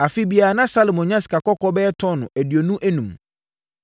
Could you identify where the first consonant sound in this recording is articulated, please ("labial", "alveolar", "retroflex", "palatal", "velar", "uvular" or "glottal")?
labial